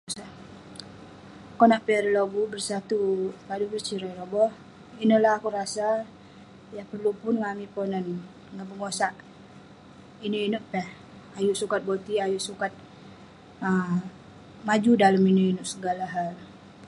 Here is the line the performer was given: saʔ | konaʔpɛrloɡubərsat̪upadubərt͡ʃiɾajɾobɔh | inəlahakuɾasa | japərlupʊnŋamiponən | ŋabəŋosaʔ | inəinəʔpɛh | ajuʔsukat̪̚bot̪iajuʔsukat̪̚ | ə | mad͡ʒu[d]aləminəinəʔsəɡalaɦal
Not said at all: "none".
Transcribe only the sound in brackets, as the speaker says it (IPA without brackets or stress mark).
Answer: d